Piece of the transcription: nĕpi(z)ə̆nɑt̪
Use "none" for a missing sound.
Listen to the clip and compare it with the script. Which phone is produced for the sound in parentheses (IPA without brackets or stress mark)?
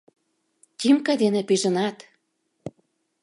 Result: ʒ